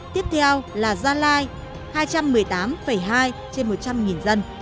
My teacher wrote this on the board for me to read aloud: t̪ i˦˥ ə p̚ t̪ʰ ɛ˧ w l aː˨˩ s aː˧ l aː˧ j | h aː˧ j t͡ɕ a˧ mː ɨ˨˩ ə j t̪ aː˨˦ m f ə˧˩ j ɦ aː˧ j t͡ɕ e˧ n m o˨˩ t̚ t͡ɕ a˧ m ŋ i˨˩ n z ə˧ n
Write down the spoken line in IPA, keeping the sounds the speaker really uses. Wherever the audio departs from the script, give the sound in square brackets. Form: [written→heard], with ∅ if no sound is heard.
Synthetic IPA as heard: t̪ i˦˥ ə p̚ t̪ʰ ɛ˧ w l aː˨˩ [s→z] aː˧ l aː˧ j | h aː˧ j t͡ɕ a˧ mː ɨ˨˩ ə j t̪ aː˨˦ m f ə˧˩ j ɦ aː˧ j t͡ɕ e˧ n m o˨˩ t̚ t͡ɕ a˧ m ŋ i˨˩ n z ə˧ n